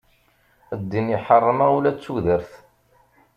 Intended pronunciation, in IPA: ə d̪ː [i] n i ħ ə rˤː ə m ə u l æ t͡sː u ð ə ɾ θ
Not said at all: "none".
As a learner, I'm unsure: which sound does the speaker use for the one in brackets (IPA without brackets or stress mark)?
i